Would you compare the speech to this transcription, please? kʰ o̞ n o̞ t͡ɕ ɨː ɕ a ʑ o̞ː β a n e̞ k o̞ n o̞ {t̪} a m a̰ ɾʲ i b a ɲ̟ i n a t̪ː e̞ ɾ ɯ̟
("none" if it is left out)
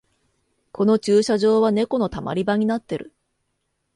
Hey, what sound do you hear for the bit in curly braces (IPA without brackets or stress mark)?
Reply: t̪